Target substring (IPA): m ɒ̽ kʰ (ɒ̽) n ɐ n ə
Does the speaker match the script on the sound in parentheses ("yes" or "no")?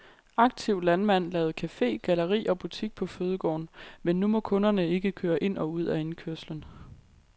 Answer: no